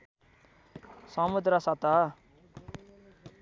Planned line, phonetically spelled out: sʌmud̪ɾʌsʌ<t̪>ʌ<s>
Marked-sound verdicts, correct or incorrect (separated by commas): correct, incorrect